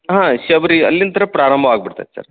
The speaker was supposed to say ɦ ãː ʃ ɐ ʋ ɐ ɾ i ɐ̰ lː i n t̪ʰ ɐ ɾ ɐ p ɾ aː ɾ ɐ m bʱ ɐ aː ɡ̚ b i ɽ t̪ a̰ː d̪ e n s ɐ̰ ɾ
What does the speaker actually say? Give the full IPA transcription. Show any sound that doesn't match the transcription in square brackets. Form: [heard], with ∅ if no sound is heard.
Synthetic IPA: ɦ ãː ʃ ɐ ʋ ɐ ɾ i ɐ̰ lː i n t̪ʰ ɐ ɾ ɐ p ɾ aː ɾ ɐ m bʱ ɐ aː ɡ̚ b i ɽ t̪ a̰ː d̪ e [∅] s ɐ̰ ɾ